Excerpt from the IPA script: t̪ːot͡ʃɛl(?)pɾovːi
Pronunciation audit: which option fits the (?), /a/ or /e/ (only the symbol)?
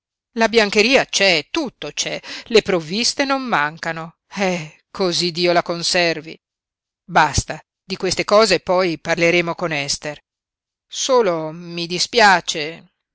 e